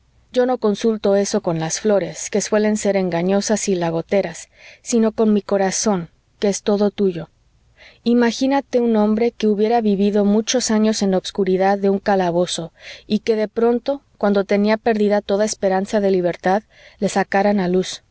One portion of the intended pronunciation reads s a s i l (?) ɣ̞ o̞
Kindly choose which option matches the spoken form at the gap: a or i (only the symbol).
a